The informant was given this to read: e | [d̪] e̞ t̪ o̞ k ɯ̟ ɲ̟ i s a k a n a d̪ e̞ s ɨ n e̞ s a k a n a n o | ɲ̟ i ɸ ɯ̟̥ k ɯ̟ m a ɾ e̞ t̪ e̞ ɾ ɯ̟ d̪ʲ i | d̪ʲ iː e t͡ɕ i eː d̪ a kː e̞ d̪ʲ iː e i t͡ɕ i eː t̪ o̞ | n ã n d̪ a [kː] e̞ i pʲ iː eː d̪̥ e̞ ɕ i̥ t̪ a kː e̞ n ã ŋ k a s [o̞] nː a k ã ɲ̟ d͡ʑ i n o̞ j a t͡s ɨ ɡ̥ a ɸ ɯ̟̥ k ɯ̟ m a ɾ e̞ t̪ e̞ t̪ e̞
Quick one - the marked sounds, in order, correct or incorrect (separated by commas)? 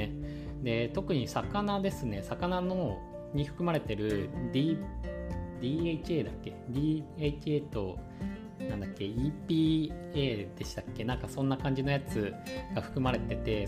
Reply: correct, correct, incorrect